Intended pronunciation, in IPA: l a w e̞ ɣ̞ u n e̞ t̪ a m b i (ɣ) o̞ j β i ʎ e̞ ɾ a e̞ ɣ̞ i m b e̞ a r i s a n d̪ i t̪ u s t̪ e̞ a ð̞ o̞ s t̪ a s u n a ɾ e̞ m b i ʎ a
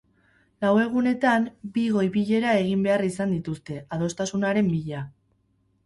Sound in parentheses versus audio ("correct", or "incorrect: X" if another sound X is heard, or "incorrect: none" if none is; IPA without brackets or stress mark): correct